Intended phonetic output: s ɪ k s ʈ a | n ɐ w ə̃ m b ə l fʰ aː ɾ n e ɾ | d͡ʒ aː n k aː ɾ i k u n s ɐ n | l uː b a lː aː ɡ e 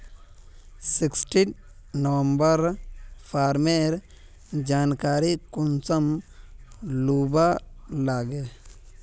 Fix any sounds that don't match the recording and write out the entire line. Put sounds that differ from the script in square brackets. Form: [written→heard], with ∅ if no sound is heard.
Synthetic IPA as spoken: s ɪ k s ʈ [a→i] | n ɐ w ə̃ m b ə [l→ɾ] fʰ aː ɾ [n→m] e ɾ | d͡ʒ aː n k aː ɾ i k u n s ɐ [n→m] | l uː b a [lː→l] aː ɡ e